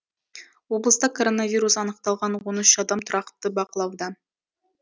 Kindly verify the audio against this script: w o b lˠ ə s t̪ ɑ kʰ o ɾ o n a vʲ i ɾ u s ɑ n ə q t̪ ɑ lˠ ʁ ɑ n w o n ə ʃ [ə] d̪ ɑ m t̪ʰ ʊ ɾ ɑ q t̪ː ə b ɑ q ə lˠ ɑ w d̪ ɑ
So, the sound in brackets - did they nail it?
no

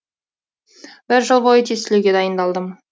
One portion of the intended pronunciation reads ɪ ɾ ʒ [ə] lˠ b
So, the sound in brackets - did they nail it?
yes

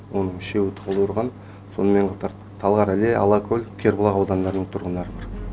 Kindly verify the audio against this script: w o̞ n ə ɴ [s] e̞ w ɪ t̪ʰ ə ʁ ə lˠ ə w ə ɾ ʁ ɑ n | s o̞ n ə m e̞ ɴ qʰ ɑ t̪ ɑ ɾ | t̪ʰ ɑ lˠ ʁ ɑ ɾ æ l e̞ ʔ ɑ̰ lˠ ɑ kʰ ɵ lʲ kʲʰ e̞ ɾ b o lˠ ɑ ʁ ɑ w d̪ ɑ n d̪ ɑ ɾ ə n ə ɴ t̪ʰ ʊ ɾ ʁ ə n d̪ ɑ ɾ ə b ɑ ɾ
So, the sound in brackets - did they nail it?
no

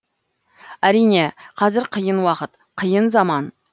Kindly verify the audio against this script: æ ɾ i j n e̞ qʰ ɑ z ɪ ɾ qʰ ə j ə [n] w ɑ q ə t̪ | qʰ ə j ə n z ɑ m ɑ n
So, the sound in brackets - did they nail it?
yes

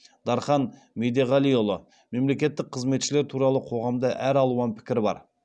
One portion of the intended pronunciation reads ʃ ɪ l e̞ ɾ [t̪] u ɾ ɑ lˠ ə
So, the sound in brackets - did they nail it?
no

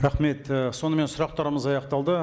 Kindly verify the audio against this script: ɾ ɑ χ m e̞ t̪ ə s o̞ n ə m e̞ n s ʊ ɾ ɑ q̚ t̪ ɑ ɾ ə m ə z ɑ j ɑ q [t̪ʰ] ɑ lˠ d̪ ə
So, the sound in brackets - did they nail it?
no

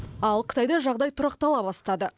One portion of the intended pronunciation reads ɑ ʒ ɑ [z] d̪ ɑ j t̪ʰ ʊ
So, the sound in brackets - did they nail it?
no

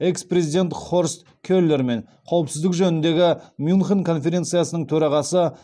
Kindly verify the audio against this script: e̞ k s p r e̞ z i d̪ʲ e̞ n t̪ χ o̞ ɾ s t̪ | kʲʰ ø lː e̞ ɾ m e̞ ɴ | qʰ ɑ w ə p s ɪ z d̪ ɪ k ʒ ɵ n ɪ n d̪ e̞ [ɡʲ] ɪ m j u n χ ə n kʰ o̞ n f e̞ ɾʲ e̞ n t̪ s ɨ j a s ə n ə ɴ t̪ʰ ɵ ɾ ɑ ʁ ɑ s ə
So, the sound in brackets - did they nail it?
yes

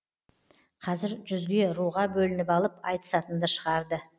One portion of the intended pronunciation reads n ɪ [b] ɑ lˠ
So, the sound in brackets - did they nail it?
no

